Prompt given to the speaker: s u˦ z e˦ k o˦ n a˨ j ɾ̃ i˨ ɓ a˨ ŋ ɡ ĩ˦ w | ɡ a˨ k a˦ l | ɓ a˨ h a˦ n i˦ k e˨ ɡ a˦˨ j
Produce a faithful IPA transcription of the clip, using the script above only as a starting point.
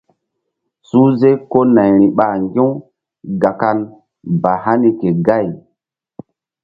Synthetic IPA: s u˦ z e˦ k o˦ n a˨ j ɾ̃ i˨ ɓ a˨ ŋ ɡ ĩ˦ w | ɡ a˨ k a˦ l | b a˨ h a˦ n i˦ k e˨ ɡ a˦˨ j